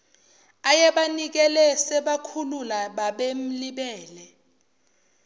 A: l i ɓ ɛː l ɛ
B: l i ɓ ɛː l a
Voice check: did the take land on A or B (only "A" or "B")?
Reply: A